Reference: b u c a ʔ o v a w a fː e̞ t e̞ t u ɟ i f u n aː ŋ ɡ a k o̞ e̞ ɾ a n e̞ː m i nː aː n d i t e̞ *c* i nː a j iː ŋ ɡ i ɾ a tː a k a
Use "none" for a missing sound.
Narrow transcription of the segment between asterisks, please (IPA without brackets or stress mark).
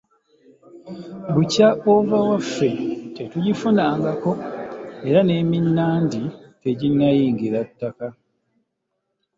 ɟ